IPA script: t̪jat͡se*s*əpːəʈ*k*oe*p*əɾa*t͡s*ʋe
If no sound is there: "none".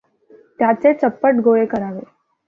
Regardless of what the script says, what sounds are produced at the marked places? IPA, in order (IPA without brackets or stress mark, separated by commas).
t͡s, ɡ, k, none